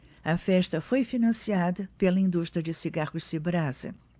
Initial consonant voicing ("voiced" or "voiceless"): voiceless